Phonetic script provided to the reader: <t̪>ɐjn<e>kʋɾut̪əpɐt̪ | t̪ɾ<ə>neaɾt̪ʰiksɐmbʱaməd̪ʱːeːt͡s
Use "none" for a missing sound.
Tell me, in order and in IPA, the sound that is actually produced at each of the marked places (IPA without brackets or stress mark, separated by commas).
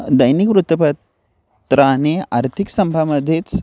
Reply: d̪, i, a